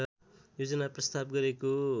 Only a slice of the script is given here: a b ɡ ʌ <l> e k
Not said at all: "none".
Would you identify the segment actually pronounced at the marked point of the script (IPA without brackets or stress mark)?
ɾ